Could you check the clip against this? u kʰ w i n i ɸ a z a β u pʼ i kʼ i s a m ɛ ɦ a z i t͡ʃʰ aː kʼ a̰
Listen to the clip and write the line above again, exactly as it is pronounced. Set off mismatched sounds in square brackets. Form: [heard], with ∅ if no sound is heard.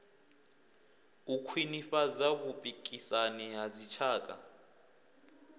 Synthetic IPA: u kʰ w i n i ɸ a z a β u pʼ i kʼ i s a [n] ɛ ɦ a z i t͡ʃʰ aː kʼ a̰